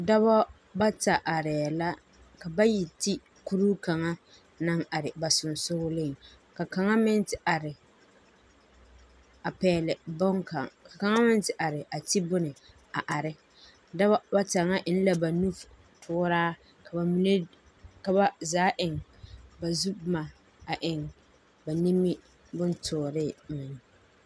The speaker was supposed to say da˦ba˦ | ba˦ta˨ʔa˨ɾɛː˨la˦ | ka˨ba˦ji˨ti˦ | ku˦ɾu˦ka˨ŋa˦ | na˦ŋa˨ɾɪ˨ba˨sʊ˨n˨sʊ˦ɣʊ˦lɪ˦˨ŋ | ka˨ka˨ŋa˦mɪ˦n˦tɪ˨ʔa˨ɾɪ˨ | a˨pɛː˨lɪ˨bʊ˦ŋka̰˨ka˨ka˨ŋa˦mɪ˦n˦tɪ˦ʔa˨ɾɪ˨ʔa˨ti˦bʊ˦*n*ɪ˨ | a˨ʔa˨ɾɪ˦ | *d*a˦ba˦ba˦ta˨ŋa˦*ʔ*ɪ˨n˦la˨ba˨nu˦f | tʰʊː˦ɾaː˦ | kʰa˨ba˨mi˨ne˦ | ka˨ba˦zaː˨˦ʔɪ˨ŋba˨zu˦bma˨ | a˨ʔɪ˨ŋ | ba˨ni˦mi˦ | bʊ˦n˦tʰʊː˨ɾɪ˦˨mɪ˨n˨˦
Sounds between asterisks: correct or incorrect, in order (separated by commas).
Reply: correct, correct, correct